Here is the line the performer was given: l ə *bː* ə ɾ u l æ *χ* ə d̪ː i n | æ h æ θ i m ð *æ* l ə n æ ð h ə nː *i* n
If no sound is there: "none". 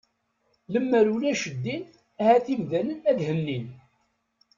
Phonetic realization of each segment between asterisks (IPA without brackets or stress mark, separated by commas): mː, ʃ, æ, i